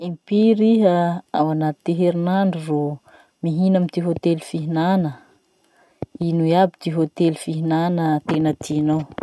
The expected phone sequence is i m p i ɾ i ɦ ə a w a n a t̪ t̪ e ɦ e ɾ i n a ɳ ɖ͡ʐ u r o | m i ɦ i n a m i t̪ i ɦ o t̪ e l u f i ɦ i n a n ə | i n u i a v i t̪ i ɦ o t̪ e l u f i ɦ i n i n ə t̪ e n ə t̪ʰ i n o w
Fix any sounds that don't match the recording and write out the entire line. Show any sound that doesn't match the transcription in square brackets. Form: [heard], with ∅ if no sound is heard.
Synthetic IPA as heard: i m p i ɾ i ɦ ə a w a n a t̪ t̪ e ɦ e ɾ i n a ɳ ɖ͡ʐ u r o | m i ɦ i n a m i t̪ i ɦ o t̪ e l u f i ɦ i n a n ə | i n u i a [b] i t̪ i ɦ o t̪ e l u f i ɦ i n [a] n ə t̪ e n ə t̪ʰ i n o w

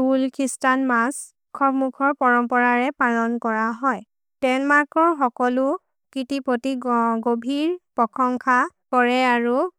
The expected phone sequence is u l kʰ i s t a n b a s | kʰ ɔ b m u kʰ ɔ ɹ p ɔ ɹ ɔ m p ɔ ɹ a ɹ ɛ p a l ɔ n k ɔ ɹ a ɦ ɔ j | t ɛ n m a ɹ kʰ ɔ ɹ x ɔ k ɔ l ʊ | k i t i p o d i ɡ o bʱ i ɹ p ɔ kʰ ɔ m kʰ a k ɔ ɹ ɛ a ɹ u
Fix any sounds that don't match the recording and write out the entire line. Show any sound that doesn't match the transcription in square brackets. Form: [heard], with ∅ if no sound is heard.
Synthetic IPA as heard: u l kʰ i s t a n [m] a s | kʰ ɔ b m u kʰ ɔ ɹ p ɔ ɹ ɔ m p ɔ ɹ a ɹ ɛ p a l ɔ n k ɔ ɹ a ɦ ɔ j | t ɛ n m a ɹ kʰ ɔ ɹ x ɔ k ɔ l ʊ | k i t i p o [t] i ɡ o bʱ i ɹ p ɔ kʰ ɔ [ŋ] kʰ a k ɔ ɹ ɛ a ɹ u

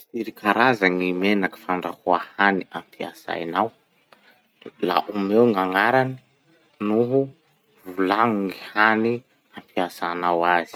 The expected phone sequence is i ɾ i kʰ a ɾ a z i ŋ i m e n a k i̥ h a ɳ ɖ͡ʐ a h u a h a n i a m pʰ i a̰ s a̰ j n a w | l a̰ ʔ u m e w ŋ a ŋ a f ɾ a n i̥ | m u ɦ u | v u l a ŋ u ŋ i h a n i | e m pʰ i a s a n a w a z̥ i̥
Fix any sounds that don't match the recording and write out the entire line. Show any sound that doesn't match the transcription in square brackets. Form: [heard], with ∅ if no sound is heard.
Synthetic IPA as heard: i ɾ i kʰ a ɾ a z [a] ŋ i m e n a k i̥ [f] a ɳ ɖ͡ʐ a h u a h a n i a m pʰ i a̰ s a̰ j n a w | l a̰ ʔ u m e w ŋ a ŋ a [∅] ɾ a n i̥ | [n] u ɦ u | v u l a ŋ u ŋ i h a n i | [a] m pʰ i a s a n a w a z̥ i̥

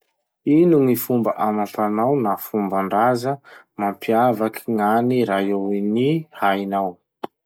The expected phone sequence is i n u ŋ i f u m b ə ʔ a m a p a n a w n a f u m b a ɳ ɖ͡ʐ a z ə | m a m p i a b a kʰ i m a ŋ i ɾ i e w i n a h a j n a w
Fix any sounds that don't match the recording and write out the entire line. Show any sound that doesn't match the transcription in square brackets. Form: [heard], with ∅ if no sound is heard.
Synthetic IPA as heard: i n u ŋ i f u m b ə ʔ a m a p a n a w n a f u m b a ɳ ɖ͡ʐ a z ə | m a m p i a [v] a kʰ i [ŋ] a [n] i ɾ [a] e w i n [i] h a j n a w

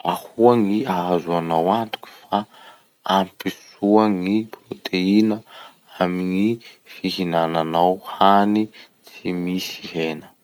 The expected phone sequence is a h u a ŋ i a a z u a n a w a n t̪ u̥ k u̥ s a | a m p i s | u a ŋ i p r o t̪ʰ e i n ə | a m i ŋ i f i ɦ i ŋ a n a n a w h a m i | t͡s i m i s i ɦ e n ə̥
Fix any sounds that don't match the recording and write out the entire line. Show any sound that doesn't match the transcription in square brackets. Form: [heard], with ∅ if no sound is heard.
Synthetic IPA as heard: a h u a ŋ i a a z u a n a w a n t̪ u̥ k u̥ [f] a | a m p i s | u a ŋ i p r o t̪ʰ e i n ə | a m i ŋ i f i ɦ i [n] a n a n a w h a [n] i | t͡s i m i s i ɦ e n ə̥

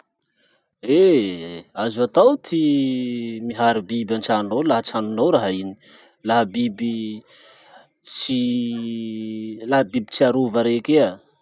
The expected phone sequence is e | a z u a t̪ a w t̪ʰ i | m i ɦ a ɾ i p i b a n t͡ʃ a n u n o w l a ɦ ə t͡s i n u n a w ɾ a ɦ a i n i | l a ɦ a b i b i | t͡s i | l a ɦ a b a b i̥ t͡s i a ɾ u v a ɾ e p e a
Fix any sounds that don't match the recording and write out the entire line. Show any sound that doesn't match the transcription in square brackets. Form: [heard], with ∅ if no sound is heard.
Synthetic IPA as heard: e | a z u a t̪ a w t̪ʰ i | m i ɦ a ɾ i [b] i b a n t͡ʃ a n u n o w l a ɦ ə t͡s [a] n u n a w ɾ a ɦ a i n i | l a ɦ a b i b i | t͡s i | l a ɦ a b [i] b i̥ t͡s i a ɾ u v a ɾ e [k] e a

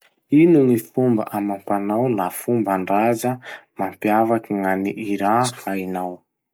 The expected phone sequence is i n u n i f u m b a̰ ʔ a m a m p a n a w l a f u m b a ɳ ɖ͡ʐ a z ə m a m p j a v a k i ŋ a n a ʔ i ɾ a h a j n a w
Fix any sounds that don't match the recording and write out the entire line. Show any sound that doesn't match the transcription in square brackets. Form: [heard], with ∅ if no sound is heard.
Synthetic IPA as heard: i n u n i f u m b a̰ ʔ a m a m p a n a w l a f u m b a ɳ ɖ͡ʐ a z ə m a m p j a v a k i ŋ a n [i] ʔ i ɾ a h a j n a w

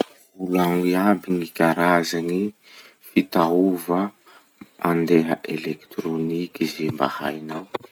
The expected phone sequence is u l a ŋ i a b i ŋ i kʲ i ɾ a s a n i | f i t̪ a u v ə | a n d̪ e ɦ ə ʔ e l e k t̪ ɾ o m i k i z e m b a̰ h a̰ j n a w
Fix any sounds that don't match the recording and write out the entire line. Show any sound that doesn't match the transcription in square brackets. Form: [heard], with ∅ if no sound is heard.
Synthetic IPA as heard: u l a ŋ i a b i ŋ i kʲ [a] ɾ a [z] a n i | f i t̪ a u v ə | a n d̪ e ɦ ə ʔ e l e k t̪ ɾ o [n] i k i z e m b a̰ h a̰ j n a w

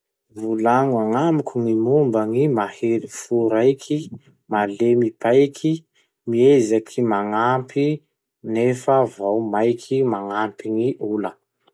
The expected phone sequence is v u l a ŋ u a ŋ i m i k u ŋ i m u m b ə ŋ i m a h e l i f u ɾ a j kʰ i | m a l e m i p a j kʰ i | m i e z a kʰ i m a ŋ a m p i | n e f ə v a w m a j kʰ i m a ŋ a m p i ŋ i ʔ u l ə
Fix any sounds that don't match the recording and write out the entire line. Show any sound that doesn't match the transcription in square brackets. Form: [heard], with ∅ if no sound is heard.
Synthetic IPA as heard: v u l a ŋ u a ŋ [a] m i k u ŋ i m u m b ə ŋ i m a h e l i f u ɾ a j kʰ i | m a l e m i p a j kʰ i | m i e z a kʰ i m a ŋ a m p i | n e f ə v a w m a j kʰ i m a ŋ a m p i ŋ i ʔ u l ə

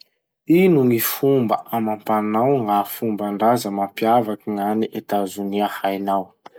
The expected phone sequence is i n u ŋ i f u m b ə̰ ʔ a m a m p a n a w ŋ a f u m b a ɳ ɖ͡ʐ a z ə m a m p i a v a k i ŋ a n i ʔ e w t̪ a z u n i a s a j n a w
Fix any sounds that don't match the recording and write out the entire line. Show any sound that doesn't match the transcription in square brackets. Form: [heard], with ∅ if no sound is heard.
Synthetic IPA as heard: i n u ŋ i f u m b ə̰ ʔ a m a m p a n a w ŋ a f u m b a ɳ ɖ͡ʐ a z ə m a m p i a v a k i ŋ a n i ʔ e [∅] t̪ a z u n i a [h] a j n a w

